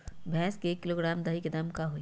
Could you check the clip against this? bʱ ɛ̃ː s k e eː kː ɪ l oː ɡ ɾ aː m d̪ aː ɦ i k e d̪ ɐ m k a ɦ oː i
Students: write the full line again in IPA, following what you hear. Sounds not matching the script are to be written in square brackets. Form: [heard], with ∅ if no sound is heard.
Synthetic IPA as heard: bʱ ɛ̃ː s k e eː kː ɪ l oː ɡ ɾ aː m d̪ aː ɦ i k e d̪ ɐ m k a ɦ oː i

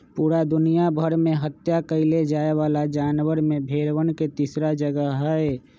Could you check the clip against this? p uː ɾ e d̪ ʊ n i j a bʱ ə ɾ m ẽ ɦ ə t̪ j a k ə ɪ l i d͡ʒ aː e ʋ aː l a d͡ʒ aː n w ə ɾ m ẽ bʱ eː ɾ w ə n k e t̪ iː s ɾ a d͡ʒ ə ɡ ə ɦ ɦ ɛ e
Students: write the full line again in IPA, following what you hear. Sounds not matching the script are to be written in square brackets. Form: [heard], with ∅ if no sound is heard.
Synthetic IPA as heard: p uː ɾ [a] d̪ ʊ n i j a bʱ ə ɾ m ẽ ɦ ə t̪ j a k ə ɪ l [e] d͡ʒ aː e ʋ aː l a d͡ʒ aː n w ə ɾ m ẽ bʱ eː ɾ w ə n k e t̪ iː s ɾ a d͡ʒ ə ɡ ə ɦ ɦ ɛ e

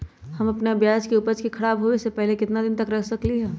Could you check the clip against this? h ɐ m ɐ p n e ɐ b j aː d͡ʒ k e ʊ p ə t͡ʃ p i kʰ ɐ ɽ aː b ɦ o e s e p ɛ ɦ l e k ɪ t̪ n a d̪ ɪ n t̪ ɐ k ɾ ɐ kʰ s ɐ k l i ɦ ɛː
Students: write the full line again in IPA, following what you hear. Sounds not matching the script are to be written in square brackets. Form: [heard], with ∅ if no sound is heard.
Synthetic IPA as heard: h ɐ m ɐ p n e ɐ b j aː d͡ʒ k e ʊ p ə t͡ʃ [k] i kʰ ɐ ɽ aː b ɦ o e s e p ɛ ɦ l e k ɪ t̪ n a d̪ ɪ n t̪ ɐ k ɾ ɐ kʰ s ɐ k l i ɦ ɛː

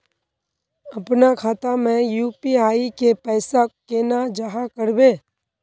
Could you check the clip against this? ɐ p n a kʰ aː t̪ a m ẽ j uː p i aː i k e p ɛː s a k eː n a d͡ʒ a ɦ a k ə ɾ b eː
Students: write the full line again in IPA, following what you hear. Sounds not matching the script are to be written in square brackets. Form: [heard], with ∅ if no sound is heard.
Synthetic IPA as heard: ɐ p n a kʰ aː t̪ a m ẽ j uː p i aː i k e p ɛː s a k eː n a d͡ʒ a ɦ a k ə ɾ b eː

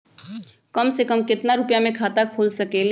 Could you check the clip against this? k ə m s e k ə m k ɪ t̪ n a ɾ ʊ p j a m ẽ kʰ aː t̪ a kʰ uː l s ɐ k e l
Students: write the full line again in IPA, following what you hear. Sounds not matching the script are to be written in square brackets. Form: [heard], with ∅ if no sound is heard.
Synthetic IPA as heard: k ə m s e k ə m k ɪ t̪ n a ɾ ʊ p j a m ẽ kʰ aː t̪ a kʰ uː l s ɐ k e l

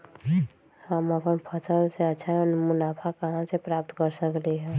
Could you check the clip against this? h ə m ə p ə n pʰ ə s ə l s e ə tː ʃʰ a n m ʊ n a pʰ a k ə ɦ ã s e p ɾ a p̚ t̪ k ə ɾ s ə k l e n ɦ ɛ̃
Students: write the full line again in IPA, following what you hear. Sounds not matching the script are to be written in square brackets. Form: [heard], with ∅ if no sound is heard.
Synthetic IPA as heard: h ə m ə p ə n pʰ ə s ə l s e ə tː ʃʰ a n m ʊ n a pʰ a k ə ɦ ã s e p ɾ a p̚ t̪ k ə ɾ s ə k l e [∅] ɦ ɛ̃

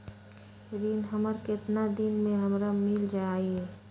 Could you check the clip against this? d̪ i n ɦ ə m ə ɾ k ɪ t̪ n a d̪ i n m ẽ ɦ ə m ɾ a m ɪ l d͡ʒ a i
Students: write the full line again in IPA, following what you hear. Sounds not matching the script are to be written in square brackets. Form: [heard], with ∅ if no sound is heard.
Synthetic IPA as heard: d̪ i n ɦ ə m ə ɾ k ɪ t̪ n a d̪ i n m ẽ ɦ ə m ɾ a m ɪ l d͡ʒ a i

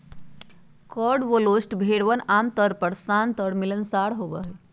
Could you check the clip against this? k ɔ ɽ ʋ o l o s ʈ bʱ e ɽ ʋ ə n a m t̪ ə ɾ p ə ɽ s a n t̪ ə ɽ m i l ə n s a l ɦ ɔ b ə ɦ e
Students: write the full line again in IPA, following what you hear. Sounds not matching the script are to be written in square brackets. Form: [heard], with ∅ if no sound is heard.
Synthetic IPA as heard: k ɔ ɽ ʋ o l o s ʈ bʱ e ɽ ʋ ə n a m t̪ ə ɾ p ə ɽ s a n t̪ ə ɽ m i l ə n s a [ɽ] ɦ [o] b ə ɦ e

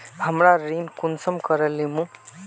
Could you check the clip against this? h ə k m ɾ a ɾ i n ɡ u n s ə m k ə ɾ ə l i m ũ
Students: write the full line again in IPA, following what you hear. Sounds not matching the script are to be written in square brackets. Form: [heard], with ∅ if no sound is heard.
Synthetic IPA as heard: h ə [∅] m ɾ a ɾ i n [k] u n s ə m k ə ɾ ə l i m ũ

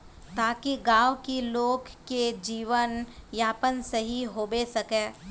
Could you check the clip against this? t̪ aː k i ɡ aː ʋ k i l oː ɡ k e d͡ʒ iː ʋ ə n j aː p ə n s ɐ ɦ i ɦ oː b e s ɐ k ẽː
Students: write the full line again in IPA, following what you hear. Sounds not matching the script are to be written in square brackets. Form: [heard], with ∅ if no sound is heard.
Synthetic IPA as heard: t̪ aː k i ɡ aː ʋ k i l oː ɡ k e d͡ʒ iː ʋ ə n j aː p ə n s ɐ ɦ i ɦ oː b e s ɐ k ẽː

